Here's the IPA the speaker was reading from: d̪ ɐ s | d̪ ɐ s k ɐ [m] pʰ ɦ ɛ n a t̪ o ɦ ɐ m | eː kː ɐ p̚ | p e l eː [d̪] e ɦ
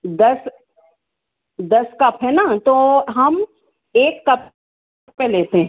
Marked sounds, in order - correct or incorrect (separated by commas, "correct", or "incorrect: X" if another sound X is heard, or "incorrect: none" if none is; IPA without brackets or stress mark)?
incorrect: none, incorrect: t̪